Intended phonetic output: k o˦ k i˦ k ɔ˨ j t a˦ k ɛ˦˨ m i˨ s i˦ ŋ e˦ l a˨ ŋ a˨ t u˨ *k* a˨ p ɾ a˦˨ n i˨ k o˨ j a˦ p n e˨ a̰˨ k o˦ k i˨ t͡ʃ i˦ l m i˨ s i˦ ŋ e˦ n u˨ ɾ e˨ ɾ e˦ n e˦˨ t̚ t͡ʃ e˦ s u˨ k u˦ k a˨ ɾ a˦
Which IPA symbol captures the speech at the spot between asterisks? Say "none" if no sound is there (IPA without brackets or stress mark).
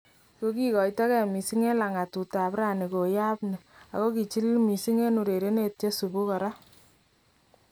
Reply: t